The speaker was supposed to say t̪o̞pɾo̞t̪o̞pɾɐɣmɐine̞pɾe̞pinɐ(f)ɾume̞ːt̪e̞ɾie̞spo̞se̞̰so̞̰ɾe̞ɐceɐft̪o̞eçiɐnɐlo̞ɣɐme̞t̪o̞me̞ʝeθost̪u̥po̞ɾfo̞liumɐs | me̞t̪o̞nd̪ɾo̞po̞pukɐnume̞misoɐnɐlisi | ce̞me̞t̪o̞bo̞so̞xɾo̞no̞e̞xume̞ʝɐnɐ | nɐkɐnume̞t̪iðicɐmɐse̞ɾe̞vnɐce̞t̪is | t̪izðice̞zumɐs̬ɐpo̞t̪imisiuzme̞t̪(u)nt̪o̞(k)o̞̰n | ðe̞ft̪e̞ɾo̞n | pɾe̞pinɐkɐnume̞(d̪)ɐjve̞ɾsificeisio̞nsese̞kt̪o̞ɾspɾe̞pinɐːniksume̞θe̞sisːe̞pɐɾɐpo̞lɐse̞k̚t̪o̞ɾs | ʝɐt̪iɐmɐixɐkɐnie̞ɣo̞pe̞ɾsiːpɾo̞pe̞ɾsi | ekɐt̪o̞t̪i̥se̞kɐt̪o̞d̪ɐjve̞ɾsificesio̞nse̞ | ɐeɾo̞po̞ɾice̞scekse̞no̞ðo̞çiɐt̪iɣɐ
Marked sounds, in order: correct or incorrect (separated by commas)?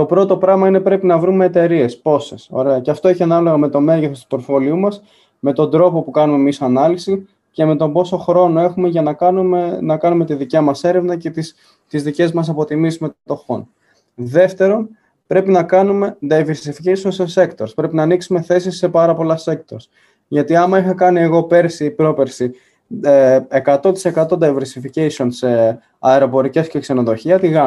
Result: incorrect, incorrect, incorrect, correct